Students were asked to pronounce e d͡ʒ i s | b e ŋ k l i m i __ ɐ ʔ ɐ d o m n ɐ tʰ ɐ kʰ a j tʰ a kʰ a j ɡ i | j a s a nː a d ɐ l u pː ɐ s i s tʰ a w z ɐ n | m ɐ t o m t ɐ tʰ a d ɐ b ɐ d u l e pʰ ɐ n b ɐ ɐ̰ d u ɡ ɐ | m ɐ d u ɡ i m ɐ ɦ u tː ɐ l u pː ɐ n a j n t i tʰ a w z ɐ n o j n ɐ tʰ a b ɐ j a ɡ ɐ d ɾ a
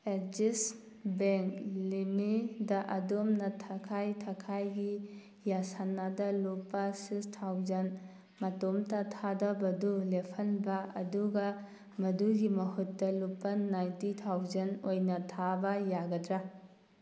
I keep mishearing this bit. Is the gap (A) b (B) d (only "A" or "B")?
B